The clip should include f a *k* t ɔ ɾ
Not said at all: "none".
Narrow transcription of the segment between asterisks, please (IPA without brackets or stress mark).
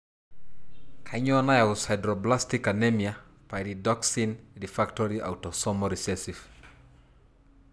k